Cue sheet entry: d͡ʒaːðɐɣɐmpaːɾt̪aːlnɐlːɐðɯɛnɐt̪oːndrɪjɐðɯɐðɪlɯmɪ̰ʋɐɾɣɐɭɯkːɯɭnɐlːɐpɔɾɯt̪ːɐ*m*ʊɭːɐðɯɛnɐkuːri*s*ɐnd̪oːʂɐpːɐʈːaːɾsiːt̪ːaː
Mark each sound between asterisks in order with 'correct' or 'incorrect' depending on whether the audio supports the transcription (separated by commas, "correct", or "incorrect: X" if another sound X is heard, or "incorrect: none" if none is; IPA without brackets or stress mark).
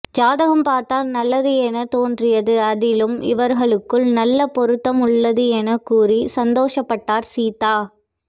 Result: correct, correct